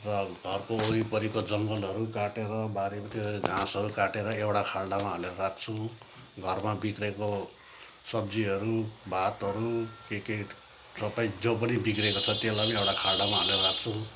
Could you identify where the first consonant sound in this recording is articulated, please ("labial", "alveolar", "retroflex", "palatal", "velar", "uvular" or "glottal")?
alveolar